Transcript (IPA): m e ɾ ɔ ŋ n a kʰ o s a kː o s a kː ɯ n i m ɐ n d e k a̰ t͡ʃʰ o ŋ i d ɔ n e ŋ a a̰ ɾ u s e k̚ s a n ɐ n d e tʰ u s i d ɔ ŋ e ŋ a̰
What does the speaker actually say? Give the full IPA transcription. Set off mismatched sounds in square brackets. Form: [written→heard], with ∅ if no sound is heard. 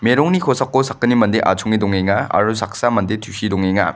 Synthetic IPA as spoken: m e ɾ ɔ ŋ n [a→i] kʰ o s a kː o s a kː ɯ n i m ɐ n d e [k→ʔ] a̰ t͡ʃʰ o ŋ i d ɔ [n→ŋ] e ŋ a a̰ ɾ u s [e→a] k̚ s a [n→m] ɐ n d e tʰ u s i d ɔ ŋ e ŋ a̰

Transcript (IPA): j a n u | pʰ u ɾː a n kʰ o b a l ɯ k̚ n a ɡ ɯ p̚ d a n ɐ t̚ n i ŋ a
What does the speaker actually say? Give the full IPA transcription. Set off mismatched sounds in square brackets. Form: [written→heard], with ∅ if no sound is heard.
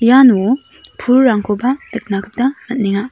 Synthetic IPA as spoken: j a n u | pʰ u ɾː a [n→ŋ] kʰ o b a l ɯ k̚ n a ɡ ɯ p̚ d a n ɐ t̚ n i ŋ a

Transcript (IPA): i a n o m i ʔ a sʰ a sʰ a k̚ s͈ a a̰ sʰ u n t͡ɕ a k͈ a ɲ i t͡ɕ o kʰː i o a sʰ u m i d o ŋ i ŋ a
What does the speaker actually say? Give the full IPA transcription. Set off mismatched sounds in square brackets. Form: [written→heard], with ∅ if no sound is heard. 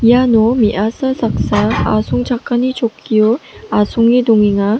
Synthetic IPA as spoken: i a n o m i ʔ a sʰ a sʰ a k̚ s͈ a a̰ sʰ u [n→ŋ] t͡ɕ a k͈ a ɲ i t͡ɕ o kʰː i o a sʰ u [m→ŋ] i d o ŋ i ŋ a

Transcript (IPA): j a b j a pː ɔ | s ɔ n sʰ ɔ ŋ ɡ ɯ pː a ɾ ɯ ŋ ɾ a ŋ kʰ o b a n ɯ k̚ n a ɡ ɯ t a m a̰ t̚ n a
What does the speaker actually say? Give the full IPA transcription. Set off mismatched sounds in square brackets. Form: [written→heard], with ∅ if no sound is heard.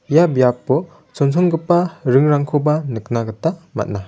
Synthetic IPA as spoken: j a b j a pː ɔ | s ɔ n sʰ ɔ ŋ ɡ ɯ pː a ɾ ɯ ŋ ɾ a ŋ kʰ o b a n ɯ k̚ n a ɡ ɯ t a m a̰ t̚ n a

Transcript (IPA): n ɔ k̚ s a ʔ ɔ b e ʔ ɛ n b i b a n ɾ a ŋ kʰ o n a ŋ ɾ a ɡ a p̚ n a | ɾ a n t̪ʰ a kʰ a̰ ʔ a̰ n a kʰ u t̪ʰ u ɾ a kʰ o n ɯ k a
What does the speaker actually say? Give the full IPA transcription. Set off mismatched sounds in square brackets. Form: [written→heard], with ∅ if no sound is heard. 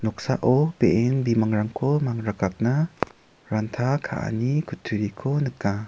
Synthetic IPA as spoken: n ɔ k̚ s a ʔ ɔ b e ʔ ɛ n b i [b→m] a [n→ŋ] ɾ a ŋ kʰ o [n→m] a ŋ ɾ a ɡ a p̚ n a | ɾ a n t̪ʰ a kʰ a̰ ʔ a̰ n [a→i] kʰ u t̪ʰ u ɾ [a→i] kʰ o n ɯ k a

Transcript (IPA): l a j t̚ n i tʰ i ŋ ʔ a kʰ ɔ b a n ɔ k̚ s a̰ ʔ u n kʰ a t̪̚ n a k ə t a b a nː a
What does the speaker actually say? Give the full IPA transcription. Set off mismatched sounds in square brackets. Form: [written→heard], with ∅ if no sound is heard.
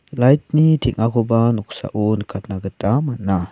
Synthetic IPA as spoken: l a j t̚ n i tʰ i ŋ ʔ a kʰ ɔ b a n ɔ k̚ s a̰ ʔ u n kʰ a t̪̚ n a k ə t a [b→m] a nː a

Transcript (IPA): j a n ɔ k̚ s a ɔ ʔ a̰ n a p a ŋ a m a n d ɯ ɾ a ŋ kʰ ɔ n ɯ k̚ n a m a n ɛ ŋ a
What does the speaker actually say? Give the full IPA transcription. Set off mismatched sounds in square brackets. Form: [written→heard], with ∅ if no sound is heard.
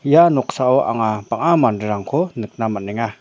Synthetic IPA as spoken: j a n ɔ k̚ s a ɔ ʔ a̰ [n→ŋ] a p a ŋ a m a n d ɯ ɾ a ŋ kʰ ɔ n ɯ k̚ n a m a n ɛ ŋ a

